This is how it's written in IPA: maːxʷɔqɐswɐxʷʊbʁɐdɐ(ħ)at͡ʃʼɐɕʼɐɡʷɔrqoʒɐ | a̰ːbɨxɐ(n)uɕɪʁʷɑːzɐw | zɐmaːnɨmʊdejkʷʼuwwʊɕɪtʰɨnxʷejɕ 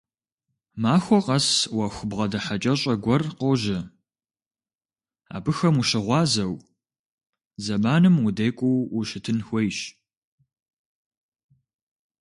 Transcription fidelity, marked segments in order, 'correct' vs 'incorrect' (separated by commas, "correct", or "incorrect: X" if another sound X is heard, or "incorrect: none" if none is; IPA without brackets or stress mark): correct, incorrect: m